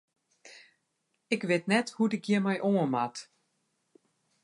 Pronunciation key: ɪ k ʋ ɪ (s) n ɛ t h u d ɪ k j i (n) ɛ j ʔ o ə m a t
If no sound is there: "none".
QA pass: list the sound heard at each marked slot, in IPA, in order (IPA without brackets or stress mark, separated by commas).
t, m